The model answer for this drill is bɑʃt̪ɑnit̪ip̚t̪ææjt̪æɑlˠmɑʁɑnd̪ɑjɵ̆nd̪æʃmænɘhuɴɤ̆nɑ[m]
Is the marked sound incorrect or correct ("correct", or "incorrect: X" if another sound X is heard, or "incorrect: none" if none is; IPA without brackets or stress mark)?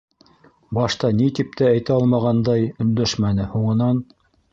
incorrect: n